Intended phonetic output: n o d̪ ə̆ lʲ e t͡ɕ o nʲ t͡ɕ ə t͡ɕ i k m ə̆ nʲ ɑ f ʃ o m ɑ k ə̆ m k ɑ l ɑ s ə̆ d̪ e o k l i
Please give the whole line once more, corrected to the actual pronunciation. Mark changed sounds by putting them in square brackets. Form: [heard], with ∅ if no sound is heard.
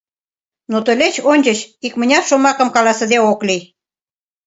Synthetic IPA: n o [t̪] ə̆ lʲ e t͡ɕ o nʲ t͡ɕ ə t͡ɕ i k m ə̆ nʲ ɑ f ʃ o m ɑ k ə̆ m k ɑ l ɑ s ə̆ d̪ e o k l i